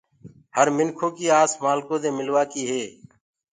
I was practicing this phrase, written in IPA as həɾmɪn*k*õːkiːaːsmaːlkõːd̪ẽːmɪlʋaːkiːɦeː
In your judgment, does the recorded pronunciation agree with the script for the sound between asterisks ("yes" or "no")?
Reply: no